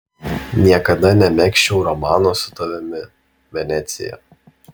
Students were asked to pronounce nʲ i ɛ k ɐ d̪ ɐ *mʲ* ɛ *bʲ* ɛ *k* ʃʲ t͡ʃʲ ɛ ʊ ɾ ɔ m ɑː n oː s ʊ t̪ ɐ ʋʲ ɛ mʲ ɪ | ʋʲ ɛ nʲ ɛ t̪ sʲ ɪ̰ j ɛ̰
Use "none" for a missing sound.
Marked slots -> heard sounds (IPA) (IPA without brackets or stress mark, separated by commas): nʲ, mʲ, k